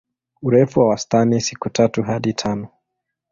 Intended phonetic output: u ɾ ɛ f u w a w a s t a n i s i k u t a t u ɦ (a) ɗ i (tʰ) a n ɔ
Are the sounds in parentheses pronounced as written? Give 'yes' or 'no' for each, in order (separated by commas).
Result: yes, yes